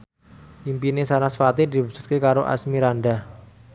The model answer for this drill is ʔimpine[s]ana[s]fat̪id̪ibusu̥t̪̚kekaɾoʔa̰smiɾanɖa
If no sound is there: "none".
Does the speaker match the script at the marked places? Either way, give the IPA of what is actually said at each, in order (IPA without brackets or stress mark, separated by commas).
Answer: s, s